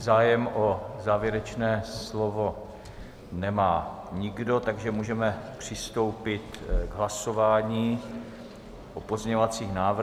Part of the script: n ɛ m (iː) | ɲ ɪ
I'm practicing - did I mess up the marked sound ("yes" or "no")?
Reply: yes